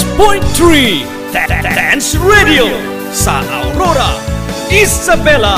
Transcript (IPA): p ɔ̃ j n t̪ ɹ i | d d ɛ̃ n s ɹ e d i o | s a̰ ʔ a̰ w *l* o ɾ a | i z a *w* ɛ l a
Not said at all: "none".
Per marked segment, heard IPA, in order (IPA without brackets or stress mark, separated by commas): ɾ, b